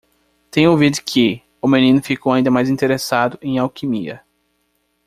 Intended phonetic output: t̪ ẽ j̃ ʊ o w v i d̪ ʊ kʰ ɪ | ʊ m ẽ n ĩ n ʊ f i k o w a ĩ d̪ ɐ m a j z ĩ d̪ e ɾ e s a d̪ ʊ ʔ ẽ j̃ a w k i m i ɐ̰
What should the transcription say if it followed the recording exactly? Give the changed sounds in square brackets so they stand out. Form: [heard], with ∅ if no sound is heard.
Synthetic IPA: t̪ ẽ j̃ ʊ o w v i d̪ ʊ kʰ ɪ | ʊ m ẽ n ĩ n ʊ f i k o w a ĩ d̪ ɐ m a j z ĩ [t̪] e ɾ e s a d̪ ʊ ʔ ẽ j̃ a w k i m i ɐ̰